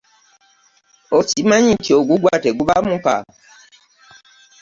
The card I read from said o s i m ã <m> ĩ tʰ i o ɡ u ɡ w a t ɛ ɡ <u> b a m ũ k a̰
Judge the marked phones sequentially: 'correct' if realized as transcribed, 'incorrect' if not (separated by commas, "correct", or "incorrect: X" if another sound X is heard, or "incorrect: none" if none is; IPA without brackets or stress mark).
incorrect: ɲ, correct